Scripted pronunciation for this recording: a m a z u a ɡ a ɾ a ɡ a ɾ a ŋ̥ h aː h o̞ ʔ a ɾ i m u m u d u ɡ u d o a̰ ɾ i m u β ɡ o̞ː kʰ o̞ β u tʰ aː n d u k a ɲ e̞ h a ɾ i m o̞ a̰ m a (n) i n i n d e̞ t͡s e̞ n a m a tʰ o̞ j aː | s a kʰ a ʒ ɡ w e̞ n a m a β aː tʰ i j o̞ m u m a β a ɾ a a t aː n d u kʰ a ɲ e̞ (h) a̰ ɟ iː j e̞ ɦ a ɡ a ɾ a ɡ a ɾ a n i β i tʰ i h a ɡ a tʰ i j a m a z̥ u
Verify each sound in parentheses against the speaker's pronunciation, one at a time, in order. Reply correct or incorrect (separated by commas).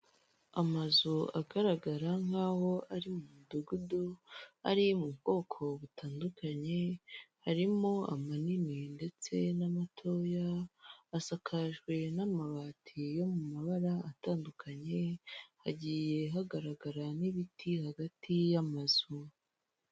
correct, correct